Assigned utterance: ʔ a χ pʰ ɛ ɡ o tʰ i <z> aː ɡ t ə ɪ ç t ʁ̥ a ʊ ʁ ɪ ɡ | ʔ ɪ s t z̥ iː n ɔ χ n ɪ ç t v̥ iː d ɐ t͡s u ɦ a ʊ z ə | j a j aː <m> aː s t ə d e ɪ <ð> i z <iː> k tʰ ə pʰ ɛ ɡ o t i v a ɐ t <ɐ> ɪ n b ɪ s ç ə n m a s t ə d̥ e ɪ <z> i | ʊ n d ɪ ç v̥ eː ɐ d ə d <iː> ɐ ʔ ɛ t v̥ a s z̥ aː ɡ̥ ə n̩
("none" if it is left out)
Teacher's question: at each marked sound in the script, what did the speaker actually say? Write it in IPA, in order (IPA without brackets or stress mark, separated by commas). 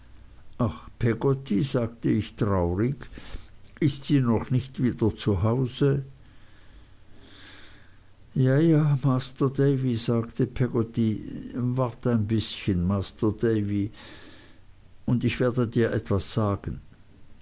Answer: z, m, v, aː, a, v, iː